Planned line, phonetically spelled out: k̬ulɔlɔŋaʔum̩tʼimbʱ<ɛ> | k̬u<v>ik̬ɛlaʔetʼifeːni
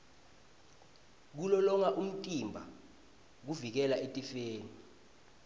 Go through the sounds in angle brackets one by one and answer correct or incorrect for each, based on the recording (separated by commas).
incorrect, correct